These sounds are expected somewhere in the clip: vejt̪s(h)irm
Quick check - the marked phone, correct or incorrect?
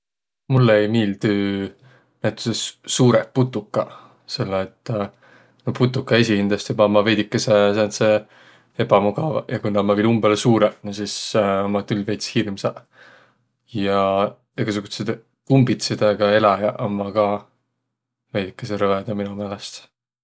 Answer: correct